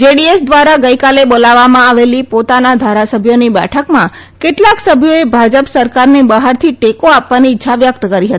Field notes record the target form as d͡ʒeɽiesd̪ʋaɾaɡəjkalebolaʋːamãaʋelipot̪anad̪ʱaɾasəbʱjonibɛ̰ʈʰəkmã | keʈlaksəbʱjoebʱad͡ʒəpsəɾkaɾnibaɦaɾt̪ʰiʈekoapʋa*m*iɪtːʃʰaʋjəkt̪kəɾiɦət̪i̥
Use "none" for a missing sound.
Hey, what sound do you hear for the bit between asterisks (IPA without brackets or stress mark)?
n